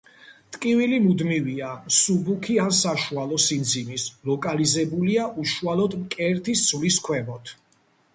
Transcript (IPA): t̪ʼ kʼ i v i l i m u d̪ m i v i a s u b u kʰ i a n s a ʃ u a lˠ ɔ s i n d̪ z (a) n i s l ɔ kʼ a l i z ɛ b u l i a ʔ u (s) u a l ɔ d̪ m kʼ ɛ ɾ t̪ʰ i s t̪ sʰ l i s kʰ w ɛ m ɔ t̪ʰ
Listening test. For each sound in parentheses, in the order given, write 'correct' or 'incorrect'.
incorrect, incorrect

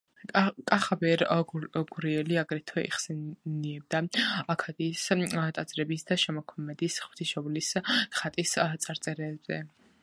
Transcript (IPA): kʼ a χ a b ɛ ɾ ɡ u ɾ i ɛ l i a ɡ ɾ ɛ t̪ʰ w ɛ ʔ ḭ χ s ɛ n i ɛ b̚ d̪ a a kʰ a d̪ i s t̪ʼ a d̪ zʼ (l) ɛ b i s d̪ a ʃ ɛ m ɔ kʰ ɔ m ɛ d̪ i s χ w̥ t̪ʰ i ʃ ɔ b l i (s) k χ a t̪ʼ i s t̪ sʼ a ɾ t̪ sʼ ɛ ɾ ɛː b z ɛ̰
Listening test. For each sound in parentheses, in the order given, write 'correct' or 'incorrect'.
incorrect, correct

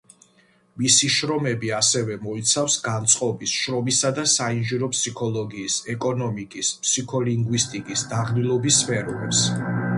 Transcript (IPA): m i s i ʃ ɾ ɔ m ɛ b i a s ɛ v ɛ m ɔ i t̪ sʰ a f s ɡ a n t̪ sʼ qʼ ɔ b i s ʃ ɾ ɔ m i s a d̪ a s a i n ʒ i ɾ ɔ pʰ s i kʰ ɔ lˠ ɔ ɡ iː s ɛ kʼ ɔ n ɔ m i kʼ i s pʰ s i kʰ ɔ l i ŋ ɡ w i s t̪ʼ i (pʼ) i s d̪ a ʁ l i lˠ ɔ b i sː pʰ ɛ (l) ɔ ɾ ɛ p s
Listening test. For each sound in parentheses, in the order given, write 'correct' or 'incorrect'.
incorrect, incorrect

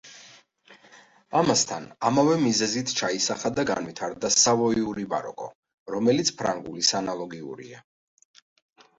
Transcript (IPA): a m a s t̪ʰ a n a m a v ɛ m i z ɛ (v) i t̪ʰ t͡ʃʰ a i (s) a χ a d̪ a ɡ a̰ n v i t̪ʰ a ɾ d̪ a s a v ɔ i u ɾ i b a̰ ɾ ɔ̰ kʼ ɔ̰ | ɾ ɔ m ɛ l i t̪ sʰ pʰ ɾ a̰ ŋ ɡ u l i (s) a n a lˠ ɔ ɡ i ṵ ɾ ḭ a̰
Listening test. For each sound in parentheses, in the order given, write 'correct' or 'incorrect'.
incorrect, correct, correct

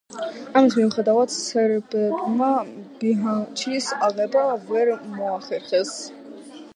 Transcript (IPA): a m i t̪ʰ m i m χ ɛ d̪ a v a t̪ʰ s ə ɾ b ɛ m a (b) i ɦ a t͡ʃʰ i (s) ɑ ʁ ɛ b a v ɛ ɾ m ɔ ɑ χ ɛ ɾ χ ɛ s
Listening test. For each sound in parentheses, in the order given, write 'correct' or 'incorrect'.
correct, correct

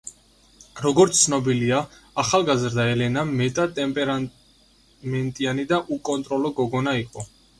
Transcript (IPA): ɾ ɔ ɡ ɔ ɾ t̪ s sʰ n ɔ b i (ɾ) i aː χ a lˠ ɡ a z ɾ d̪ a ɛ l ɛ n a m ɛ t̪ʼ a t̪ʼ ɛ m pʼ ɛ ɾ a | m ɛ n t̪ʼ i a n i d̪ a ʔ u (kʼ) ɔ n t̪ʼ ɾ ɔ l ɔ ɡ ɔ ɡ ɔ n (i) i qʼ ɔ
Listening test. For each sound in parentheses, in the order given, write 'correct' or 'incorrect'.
incorrect, correct, incorrect

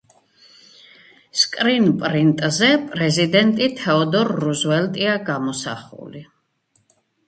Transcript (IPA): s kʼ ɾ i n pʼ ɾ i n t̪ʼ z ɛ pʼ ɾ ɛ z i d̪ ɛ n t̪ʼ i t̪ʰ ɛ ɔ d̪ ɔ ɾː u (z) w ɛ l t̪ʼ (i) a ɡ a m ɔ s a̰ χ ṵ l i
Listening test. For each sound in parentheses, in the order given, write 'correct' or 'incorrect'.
correct, correct

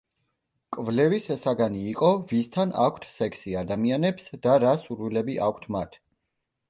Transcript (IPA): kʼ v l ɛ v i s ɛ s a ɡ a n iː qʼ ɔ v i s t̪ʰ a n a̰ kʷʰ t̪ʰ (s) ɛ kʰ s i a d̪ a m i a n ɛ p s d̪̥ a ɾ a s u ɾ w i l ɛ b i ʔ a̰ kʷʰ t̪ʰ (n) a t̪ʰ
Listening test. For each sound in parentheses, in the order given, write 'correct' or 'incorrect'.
correct, incorrect

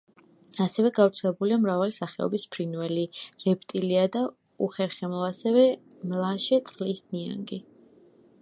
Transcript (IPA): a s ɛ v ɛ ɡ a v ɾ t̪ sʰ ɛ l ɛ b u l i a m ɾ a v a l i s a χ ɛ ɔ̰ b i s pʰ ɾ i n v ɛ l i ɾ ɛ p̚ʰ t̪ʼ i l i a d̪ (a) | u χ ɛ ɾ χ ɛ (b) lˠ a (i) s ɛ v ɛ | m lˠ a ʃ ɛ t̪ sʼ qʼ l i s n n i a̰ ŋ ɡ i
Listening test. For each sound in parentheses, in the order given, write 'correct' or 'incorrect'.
correct, incorrect, incorrect

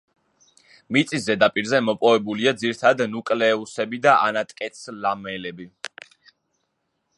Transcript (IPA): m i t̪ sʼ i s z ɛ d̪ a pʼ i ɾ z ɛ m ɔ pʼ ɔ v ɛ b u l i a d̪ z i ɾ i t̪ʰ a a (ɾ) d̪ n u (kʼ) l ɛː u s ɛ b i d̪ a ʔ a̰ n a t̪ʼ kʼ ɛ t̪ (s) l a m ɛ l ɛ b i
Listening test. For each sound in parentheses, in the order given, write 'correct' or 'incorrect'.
incorrect, correct, correct

